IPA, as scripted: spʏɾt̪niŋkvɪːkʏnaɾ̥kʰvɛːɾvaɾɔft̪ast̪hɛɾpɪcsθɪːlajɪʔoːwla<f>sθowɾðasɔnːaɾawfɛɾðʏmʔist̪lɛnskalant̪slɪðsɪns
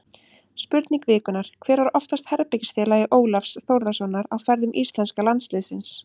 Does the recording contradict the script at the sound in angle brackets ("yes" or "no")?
no